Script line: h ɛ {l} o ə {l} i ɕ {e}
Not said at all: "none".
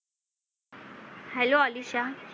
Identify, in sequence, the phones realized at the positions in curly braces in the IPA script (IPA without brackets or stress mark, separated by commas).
l, l, a